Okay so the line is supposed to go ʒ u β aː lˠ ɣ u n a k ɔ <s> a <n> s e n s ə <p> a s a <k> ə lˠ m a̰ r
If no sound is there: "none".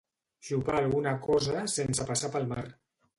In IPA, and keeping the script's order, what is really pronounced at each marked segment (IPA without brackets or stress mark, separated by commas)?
z, none, p, p